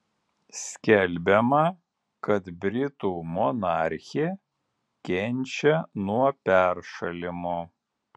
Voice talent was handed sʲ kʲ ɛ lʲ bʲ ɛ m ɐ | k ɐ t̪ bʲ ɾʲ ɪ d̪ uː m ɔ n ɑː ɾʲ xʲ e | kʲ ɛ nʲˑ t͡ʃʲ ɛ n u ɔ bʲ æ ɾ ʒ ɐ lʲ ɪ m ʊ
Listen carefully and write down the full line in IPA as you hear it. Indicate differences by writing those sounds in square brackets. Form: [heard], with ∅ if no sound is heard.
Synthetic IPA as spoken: sʲ kʲ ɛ lʲ bʲ ɛ m ɐ | k ɐ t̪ bʲ ɾʲ ɪ [t̪] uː m ɔ n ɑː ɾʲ xʲ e | kʲ ɛ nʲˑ t͡ʃʲ ɛ n u ɔ [pʲ] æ ɾ [ʃ] ɐ lʲ ɪ m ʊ

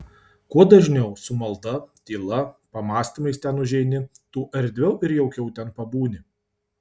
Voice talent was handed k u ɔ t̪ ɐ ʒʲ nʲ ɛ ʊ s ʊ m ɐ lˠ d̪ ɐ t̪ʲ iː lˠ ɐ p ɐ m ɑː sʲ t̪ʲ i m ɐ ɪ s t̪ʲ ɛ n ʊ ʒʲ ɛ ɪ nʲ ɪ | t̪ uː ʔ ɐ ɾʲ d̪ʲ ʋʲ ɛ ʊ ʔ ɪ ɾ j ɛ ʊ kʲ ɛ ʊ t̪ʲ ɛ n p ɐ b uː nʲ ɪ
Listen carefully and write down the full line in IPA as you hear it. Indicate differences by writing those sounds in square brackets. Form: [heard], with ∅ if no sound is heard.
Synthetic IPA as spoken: k u ɔ [d̪] ɐ ʒʲ nʲ ɛ ʊ s ʊ m ɐ lˠ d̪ ɐ t̪ʲ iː lˠ ɐ p ɐ m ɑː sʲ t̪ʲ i m ɐ ɪ s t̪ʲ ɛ n ʊ ʒʲ ɛ ɪ nʲ ɪ | t̪ uː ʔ ɐ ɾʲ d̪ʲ ʋʲ ɛ ʊ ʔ ɪ ɾ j ɛ ʊ kʲ ɛ ʊ t̪ʲ ɛ n p ɐ b uː nʲ ɪ

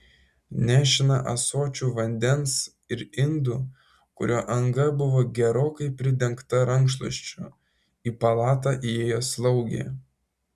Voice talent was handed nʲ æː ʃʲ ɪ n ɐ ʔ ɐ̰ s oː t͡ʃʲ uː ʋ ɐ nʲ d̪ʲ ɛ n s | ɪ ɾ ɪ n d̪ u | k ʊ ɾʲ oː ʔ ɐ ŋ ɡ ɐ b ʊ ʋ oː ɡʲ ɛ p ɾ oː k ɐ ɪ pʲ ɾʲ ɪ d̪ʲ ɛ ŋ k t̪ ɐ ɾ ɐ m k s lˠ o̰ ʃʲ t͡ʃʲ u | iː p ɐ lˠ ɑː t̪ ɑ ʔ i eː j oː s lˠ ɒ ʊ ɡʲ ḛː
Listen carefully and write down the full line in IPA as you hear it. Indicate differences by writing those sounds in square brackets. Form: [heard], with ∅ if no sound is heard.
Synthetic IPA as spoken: nʲ æː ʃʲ ɪ n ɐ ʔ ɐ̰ s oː t͡ʃʲ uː ʋ ɐ nʲ d̪ʲ ɛ n s | ɪ ɾ ɪ n d̪ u | k ʊ ɾʲ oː ʔ ɐ ŋ ɡ ɐ b ʊ ʋ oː ɡʲ ɛ [∅] ɾ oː k ɐ ɪ pʲ ɾʲ ɪ d̪ʲ ɛ ŋ k t̪ ɐ ɾ ɐ [ŋ] k [ʃ] lˠ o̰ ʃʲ t͡ʃʲ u | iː p ɐ lˠ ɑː t̪ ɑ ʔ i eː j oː s lˠ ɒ ʊ ɡʲ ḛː

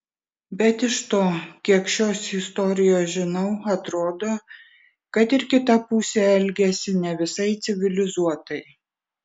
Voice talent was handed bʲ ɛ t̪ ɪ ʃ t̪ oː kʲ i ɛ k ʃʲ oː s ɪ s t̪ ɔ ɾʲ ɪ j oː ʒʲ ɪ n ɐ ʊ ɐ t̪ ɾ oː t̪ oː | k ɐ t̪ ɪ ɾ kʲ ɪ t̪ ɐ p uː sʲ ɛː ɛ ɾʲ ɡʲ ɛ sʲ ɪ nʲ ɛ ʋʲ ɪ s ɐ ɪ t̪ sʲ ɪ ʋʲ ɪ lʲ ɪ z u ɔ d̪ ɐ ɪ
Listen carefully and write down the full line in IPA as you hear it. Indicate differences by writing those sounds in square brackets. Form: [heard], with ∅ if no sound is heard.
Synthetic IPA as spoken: bʲ ɛ t̪ ɪ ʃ t̪ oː kʲ i ɛ k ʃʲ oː s ɪ s t̪ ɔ ɾʲ ɪ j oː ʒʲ ɪ n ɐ ʊ ɐ t̪ ɾ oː [d̪] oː | k ɐ t̪ ɪ ɾ kʲ ɪ t̪ ɐ p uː sʲ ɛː ɛ [lʲ] ɡʲ ɛ sʲ ɪ nʲ ɛ ʋʲ ɪ s ɐ ɪ t̪ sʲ ɪ ʋʲ ɪ lʲ ɪ z u ɔ [t̪] ɐ ɪ

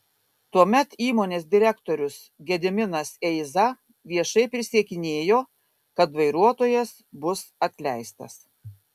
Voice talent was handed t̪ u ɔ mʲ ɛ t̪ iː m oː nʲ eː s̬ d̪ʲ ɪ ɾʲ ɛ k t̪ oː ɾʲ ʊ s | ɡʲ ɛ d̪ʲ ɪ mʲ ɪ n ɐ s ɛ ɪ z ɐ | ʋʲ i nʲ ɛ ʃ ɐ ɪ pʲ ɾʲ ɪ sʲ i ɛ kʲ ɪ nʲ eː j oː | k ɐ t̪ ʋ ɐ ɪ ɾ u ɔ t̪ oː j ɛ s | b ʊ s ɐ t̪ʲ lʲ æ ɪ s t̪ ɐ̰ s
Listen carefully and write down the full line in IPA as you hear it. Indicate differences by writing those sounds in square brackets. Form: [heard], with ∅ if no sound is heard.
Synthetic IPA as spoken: t̪ u ɔ mʲ ɛ t̪ iː m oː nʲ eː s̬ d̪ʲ ɪ ɾʲ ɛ k t̪ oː ɾʲ ʊ s | ɡʲ ɛ d̪ʲ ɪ mʲ ɪ n ɐ s ɛ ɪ z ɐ | ʋʲ i [∅] ɛ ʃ ɐ ɪ pʲ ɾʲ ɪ sʲ i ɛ kʲ ɪ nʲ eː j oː | k ɐ t̪ ʋ ɐ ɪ ɾ u ɔ t̪ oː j ɛ s | b ʊ s ɐ t̪ʲ lʲ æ ɪ s t̪ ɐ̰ s

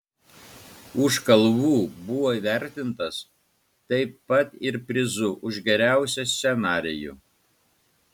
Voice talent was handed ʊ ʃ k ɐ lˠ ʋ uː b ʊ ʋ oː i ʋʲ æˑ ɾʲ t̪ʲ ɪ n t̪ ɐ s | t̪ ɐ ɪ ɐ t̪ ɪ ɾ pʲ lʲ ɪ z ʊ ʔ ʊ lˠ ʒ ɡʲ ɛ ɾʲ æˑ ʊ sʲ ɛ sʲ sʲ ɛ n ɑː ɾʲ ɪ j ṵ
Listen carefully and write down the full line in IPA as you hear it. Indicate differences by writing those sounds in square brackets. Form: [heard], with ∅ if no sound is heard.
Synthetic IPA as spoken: ʊ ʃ k ɐ lˠ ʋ uː b ʊ ʋ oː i ʋʲ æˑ ɾʲ t̪ʲ ɪ n t̪ ɐ s | t̪ ɐ ɪ ɐ t̪ ɪ ɾ pʲ [ɾʲ] ɪ z ʊ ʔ ʊ [∅] ʒ ɡʲ ɛ ɾʲ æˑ ʊ sʲ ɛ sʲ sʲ ɛ n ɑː ɾʲ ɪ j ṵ

